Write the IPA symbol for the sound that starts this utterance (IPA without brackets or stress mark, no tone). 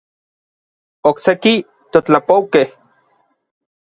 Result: o